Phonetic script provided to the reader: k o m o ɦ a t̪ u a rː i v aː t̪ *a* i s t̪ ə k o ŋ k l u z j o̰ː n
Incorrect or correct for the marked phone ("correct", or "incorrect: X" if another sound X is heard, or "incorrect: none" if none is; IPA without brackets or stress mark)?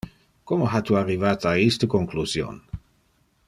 correct